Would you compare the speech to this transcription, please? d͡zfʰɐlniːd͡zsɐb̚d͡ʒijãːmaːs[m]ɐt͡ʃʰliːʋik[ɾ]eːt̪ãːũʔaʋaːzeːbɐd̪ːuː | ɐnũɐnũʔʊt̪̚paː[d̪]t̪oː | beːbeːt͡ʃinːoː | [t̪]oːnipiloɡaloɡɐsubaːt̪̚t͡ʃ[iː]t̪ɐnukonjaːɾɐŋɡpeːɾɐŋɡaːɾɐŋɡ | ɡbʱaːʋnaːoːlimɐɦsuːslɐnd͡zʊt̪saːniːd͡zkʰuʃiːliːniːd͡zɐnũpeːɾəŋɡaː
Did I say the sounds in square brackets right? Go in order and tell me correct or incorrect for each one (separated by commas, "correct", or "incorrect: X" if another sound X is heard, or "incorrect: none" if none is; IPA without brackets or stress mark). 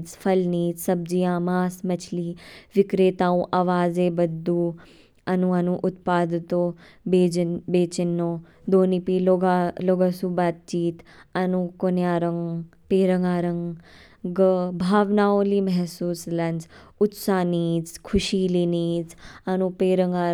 correct, correct, correct, incorrect: d̪, correct